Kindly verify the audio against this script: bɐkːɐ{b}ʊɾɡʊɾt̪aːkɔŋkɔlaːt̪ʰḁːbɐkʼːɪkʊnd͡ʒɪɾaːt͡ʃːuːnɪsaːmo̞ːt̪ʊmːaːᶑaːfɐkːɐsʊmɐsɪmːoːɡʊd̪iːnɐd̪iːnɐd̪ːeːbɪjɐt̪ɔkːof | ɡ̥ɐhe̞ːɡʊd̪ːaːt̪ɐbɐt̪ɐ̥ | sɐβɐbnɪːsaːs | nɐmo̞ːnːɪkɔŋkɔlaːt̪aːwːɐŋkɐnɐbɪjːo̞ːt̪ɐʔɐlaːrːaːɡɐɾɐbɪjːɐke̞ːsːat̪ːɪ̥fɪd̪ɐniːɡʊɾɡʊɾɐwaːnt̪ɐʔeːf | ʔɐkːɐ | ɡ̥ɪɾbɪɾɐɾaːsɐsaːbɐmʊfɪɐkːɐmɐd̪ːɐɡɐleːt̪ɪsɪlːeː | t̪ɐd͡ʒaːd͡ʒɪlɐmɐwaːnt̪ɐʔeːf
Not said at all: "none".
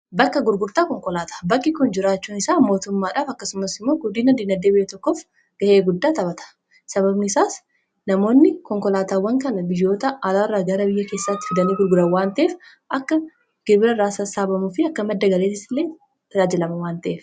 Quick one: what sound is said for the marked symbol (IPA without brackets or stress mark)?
ɡ